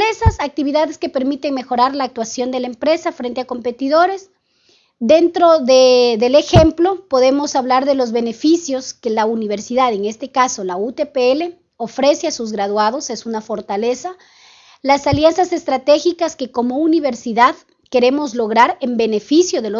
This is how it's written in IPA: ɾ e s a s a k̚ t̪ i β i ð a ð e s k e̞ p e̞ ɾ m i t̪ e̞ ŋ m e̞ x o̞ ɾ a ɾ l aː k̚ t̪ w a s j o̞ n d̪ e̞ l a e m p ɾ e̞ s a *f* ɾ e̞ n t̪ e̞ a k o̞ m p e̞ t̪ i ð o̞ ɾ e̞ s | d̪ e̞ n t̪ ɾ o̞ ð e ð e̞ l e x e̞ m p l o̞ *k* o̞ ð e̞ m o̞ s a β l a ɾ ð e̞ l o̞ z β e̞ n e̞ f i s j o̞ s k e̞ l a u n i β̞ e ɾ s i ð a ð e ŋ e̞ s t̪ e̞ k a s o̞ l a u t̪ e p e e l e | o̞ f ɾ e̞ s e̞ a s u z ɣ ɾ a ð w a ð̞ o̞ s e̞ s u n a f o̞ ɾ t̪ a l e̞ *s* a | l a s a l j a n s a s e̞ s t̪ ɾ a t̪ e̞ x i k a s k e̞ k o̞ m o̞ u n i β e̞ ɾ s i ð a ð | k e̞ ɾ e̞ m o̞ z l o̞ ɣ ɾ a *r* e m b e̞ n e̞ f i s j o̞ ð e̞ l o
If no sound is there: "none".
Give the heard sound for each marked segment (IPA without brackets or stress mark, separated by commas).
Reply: f, p, s, ɾ